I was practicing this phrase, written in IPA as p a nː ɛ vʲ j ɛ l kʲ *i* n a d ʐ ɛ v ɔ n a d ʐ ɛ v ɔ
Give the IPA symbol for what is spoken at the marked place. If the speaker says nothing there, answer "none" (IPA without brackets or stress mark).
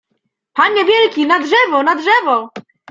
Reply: i